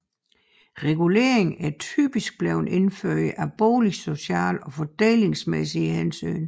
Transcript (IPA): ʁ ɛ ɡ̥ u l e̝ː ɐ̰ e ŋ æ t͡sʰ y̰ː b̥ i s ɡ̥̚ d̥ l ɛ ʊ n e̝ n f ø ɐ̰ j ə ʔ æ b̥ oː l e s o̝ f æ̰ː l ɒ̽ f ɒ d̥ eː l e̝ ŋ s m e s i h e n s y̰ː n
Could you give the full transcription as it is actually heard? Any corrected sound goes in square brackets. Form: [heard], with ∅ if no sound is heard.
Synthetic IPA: ʁ ɛ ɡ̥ u l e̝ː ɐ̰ e ŋ æ t͡sʰ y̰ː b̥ i s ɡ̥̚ [b̥] l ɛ ʊ n e̝ n f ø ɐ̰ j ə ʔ æ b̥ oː l [i] s o̝ [ɕ] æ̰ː l ɒ̽ f ɒ d̥ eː l e̝ ŋ s m e s i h e n s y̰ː n